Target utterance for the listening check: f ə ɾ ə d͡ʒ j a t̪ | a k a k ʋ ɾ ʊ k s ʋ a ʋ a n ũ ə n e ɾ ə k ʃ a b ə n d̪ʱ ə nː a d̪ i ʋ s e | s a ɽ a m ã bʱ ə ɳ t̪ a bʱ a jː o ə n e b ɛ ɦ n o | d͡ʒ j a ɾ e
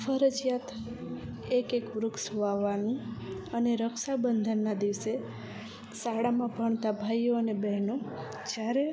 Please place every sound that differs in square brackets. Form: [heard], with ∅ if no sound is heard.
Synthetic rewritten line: f ə ɾ ə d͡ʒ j a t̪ | [e] k [e] k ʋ ɾ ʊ k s ʋ a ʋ a n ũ ə n e ɾ ə k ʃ a b ə n d̪ʱ ə nː a d̪ i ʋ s e | s a ɽ a m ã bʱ ə ɳ t̪ a bʱ a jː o ə n e b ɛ ɦ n o | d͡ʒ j a ɾ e